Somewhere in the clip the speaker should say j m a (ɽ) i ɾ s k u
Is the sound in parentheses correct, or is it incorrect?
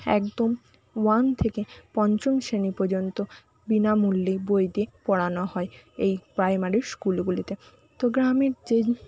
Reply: incorrect